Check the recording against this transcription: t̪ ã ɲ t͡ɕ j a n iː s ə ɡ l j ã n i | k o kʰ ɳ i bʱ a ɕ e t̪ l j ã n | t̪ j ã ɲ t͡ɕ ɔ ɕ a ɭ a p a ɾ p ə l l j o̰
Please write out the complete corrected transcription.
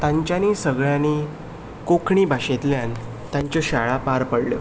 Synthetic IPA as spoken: t̪ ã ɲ t͡ɕ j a n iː s ə ɡ ɭ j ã n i | k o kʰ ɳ i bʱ a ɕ e t̪ l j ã n | t̪ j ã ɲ t͡ɕ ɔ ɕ a ɭ a p a ɾ p ə ɽ l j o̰